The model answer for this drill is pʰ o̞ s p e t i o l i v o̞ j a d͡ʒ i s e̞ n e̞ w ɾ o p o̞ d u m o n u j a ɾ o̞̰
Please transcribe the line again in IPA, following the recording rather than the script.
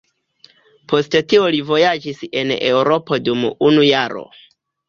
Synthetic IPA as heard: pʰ o̞ s t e t i o l i v o̞ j a d͡ʒ i s e̞ n e̞ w ɾ o p o̞ d u m u n u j a ɾ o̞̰